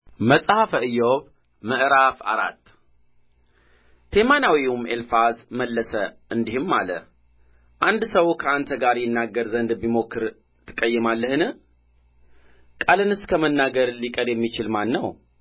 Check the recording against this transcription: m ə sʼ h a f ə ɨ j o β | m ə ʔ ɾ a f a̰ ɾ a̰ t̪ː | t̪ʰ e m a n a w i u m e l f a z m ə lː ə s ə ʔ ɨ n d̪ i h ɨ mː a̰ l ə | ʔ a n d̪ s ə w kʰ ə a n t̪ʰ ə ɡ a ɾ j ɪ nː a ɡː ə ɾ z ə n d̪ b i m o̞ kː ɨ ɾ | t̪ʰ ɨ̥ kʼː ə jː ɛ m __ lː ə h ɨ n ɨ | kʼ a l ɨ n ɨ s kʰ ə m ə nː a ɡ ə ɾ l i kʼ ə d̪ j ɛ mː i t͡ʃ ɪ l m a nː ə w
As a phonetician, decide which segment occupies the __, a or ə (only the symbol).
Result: a